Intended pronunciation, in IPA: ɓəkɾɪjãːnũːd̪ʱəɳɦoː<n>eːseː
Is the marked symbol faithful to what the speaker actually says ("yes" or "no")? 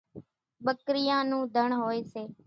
no